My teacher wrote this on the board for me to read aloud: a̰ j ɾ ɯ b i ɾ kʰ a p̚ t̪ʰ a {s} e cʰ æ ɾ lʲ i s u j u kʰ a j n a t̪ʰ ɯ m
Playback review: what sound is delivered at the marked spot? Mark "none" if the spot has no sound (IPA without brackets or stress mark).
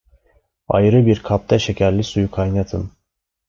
ʃ